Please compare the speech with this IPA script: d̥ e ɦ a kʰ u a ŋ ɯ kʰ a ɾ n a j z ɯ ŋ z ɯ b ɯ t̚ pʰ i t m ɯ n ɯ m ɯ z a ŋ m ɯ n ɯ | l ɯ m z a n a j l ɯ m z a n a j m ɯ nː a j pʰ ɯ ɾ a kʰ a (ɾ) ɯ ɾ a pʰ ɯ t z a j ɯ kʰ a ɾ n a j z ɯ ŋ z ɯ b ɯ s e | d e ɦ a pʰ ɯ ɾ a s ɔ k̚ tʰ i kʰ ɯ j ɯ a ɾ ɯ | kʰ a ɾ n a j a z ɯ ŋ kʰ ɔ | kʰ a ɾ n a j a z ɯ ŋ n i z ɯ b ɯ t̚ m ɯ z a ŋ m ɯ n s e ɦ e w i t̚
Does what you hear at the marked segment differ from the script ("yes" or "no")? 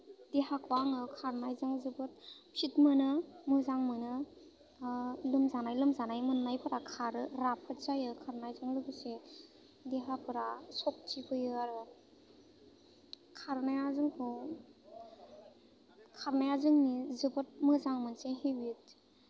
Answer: no